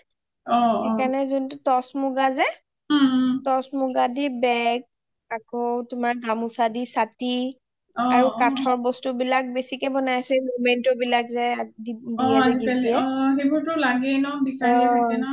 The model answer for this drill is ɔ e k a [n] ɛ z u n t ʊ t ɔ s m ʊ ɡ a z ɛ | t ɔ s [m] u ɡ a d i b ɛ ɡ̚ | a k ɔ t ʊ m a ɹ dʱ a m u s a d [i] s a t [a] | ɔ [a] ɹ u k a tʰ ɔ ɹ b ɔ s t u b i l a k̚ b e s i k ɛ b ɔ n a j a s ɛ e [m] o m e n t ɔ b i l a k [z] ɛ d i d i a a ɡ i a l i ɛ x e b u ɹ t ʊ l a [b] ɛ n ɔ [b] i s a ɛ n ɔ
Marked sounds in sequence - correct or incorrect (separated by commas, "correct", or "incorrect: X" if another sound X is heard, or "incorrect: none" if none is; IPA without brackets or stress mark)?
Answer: correct, correct, correct, incorrect: i, correct, correct, correct, incorrect: ɡ, correct